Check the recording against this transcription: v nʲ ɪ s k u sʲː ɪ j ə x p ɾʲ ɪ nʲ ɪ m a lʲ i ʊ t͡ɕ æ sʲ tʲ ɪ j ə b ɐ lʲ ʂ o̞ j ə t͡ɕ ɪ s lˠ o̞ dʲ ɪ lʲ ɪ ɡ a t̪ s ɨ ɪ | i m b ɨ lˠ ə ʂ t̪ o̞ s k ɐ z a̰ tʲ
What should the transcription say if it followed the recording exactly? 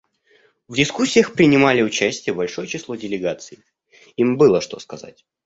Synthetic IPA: v dʲ ɪ s k u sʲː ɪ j ə x p ɾʲ ɪ nʲ ɪ m a lʲ ɪ ʊ t͡ɕ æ sʲ tʲ ɪ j ə b ɐ lʲ ʂ o̞ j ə t͡ɕ ɪ s lˠ o̞ dʲ ɪ lʲ ɪ ɡ a t̪ s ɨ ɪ | i m b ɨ lˠ ə ʂ t̪ o̞ s k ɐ z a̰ tʲ